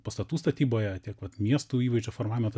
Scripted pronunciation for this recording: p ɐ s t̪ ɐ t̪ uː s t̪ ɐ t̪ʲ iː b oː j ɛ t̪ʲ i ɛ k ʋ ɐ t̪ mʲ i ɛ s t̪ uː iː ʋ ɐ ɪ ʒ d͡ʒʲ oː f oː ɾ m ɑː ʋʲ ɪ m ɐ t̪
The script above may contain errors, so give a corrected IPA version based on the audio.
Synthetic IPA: p ɐ s t̪ ɐ t̪ uː s t̪ ɐ t̪ʲ iː b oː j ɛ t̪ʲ i ɛ k ʋ ɐ t̪ mʲ i ɛ s t̪ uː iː ʋ ɐ ɪ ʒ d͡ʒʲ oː f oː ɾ m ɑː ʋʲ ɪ m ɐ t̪